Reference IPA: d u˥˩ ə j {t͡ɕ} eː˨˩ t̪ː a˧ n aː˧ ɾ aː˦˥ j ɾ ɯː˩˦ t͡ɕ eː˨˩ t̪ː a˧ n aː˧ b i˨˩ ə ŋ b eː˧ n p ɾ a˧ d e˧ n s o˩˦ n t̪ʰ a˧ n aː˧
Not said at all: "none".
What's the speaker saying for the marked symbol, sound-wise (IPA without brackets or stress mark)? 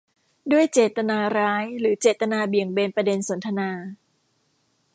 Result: t͡ɕ